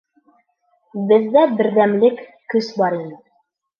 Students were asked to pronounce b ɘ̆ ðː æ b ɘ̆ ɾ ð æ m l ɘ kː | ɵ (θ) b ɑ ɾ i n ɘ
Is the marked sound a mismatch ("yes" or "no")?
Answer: yes